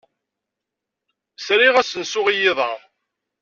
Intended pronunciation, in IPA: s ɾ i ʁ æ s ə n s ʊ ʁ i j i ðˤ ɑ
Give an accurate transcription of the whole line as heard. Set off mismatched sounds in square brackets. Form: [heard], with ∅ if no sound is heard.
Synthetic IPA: s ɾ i ʁ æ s ə n s ʊ ʁ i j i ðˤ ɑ

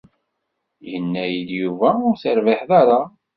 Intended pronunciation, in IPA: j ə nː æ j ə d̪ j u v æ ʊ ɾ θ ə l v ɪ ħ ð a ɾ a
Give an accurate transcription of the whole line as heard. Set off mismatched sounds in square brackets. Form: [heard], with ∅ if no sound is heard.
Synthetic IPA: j ə nː æ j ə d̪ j u v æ ʊ ɾ θ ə [ɾ] v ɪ ħ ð a ɾ a

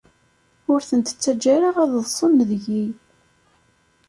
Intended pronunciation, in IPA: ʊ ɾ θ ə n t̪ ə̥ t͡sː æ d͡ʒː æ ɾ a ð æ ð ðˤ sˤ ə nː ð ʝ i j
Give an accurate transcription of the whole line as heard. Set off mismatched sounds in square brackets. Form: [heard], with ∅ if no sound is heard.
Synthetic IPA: ʊ ɾ θ ə n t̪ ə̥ t͡sː æ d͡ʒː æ ɾ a [ʁ] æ ð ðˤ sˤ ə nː ð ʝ i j

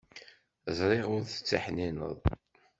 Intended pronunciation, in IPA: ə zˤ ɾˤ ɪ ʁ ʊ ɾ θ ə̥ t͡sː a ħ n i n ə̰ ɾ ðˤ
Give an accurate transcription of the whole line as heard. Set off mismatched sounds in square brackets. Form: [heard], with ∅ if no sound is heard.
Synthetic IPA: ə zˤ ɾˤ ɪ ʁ ʊ ɾ θ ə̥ t͡sː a ħ n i n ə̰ [∅] ðˤ

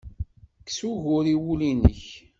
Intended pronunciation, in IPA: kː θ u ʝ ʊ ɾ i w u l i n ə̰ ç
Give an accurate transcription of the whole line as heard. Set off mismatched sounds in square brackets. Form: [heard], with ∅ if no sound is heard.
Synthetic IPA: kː [s] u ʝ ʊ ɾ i w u l i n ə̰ ç

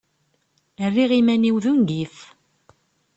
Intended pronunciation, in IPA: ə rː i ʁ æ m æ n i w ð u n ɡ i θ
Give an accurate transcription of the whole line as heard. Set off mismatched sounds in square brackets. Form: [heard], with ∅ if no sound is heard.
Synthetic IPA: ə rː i ʁ [i] m æ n i w ð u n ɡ i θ

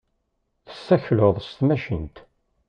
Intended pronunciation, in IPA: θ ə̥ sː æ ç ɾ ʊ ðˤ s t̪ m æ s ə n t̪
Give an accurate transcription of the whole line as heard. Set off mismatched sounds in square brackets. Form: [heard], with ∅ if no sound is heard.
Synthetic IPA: θ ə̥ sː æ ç [l] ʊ ðˤ s t̪ m æ [ʃ] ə n t̪

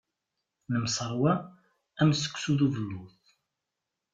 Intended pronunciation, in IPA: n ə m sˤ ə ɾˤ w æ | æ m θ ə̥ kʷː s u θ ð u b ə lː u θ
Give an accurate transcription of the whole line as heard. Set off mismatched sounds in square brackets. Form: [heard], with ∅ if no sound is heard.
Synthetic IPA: n ə m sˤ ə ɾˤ w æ | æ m [s] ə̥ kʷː s u [∅] ð u [v] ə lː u θ

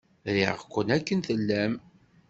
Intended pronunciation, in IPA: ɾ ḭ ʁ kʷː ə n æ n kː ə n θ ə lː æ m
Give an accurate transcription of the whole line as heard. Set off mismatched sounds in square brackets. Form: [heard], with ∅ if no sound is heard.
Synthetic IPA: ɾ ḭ ʁ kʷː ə n æ [∅] kː ə n θ ə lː æ m

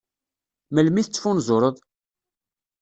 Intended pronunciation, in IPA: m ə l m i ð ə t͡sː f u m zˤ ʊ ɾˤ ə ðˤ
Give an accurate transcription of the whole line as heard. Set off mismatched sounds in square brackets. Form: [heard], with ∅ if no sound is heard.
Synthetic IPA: m ə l m i [θ] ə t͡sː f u [n] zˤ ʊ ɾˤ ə ðˤ

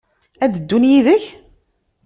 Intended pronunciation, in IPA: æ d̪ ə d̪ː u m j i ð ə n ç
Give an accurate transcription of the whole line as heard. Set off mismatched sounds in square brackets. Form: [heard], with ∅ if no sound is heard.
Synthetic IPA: æ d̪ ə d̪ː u [n] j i ð ə [∅] ç

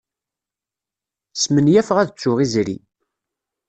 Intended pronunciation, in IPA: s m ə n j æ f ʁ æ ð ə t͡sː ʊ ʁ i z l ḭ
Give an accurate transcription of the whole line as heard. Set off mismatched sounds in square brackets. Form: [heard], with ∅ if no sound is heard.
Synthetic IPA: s m ə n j æ f ʁ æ ð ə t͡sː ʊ ʁ i z [ɾ] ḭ

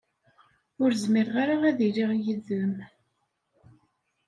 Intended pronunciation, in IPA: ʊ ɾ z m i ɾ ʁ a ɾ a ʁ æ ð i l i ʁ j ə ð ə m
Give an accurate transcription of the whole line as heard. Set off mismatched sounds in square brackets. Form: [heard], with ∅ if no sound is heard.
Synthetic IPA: ʊ ɾ z m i ɾ ʁ a ɾ a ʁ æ ð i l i ʁ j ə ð ə m

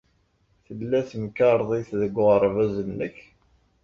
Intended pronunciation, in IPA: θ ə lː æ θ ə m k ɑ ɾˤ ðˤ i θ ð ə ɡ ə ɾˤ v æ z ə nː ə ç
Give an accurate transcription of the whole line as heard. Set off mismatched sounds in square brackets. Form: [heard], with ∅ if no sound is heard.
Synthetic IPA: θ ə lː æ θ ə m k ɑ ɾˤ ðˤ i θ ð ə ɡ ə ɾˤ v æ z ə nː ə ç

